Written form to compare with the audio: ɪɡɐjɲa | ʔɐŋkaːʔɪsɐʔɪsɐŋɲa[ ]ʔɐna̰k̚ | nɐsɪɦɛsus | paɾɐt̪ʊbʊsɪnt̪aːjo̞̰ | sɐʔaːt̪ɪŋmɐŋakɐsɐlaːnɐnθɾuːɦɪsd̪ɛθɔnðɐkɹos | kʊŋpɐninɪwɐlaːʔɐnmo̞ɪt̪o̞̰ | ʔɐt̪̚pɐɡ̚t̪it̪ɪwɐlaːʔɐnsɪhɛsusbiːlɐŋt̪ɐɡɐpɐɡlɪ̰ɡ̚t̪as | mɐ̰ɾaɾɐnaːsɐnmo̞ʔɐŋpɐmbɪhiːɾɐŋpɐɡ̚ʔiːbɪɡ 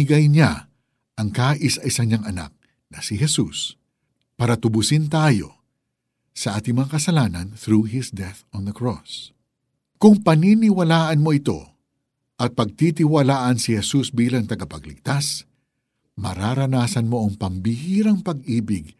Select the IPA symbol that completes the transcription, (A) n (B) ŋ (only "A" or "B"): B